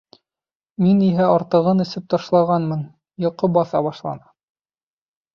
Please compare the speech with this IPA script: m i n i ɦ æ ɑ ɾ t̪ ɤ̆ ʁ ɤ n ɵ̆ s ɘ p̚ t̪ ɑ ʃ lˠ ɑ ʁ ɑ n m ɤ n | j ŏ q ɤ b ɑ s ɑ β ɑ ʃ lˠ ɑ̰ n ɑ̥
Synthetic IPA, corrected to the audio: m i n i ɦ æ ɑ ɾ t̪ ɤ̆ ʁ ɤ n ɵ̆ s ɘ p̚ t̪ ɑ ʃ lˠ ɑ ʁ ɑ n m ɤ n | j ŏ q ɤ b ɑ θ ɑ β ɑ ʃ lˠ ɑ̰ n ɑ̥